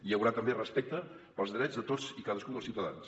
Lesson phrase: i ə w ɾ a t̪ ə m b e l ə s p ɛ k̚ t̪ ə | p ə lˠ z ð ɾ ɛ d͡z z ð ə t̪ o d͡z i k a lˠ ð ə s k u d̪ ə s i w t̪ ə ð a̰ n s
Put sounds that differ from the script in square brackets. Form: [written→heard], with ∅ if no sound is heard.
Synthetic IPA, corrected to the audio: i ə w ɾ a t̪ ə m b e [l→r] ə s p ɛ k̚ t̪ ə | p ə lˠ z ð ɾ ɛ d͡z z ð ə t̪ o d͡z i k a [lˠ→∅] ð ə s k u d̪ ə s i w t̪ ə ð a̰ n s